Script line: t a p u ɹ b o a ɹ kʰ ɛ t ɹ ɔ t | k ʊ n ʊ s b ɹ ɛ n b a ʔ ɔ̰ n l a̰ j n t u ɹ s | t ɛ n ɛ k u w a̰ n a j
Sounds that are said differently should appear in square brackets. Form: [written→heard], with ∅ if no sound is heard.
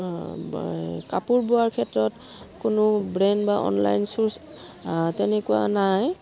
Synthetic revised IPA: [t→k] a p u ɹ b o a ɹ kʰ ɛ t ɹ ɔ t | k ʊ n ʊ [s→∅] b ɹ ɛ n b a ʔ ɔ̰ n l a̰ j n [t→s] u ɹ s | t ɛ n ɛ k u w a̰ n a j